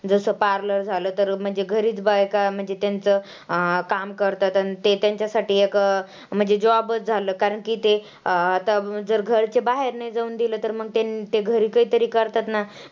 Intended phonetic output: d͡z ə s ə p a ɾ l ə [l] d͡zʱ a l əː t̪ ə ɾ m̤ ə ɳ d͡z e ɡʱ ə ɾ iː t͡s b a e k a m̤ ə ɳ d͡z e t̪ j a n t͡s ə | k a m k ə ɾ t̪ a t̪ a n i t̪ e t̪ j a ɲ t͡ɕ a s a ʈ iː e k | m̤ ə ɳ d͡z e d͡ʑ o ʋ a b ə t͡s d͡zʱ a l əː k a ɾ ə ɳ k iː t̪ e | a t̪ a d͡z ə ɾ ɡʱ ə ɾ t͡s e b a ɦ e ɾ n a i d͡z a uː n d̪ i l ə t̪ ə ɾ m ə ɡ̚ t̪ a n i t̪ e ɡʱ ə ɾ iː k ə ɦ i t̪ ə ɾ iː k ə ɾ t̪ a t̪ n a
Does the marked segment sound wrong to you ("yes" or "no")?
yes